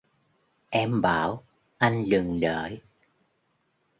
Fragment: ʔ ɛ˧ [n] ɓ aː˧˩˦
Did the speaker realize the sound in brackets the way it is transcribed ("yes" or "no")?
no